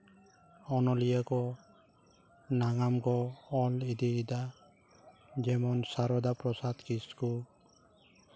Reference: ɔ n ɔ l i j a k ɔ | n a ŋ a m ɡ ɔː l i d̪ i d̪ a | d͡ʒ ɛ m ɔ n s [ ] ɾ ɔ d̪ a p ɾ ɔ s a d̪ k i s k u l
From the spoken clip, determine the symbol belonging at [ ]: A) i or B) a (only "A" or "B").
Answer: B